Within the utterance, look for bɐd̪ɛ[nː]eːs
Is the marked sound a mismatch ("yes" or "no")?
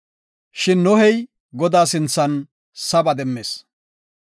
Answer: yes